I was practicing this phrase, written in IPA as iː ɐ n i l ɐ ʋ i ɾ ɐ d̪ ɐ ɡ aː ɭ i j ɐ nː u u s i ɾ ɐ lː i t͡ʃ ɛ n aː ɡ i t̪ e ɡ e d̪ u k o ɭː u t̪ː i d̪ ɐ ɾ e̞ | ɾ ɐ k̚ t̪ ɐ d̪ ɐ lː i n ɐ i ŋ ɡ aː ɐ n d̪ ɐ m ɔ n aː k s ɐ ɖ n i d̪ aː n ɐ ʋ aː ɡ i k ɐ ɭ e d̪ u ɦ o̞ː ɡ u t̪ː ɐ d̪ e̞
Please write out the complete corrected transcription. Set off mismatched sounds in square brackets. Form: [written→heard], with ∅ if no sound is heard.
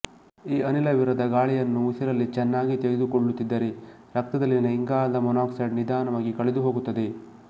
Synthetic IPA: iː ɐ n i l ɐ ʋ i ɾ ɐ d̪ ɐ ɡ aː ɭ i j ɐ nː u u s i ɾ ɐ lː i t͡ʃ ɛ [n→nː] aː ɡ i t̪ e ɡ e d̪ u k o ɭː u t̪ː i [d̪→d̪ː] ɐ ɾ e̞ | ɾ ɐ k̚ t̪ ɐ d̪ ɐ lː i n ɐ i ŋ ɡ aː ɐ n d̪ ɐ m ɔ n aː k s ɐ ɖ n i d̪ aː n ɐ ʋ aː ɡ i k ɐ ɭ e d̪ u ɦ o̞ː ɡ u t̪ː ɐ d̪ e̞